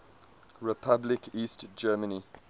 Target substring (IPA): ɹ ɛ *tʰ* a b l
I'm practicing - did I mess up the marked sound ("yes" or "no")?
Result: yes